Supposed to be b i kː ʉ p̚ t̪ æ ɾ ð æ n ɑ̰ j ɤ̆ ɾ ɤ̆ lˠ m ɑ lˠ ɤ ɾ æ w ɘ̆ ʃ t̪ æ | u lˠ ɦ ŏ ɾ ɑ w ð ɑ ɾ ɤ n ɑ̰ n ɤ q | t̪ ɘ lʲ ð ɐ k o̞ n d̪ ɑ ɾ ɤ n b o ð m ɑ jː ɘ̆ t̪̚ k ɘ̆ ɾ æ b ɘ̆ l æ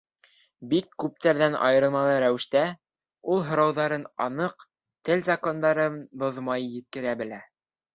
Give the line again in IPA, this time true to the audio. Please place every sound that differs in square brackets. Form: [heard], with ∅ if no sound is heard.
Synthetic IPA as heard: b i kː ʉ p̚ t̪ æ ɾ ð æ n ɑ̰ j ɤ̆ ɾ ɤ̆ lˠ m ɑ lˠ ɤ ɾ æ w ɘ̆ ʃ t̪ æ | u lˠ ɦ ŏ ɾ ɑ w ð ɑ ɾ ɤ n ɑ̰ n ɤ q | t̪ ɘ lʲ [z] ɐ k o̞ n d̪ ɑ ɾ ɤ n b o ð m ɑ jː ɘ̆ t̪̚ k ɘ̆ ɾ æ b ɘ̆ l æ